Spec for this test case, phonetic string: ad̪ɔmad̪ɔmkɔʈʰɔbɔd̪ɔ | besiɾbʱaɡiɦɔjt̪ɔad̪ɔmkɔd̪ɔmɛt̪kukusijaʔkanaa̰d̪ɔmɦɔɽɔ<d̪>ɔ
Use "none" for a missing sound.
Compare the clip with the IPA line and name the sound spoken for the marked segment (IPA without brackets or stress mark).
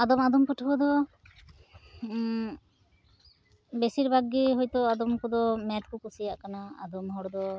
d̪